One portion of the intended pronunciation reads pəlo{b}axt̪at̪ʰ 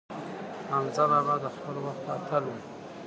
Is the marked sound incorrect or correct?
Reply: incorrect